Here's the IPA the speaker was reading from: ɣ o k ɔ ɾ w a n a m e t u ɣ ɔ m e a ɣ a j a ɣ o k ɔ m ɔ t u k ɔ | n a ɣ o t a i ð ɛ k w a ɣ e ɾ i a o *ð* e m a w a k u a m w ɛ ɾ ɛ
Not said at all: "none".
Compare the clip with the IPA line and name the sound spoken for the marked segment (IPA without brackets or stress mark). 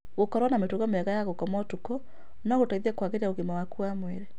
ɣ